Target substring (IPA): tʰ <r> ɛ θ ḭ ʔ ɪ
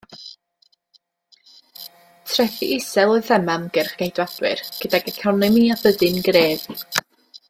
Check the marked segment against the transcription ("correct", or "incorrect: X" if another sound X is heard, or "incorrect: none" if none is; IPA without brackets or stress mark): correct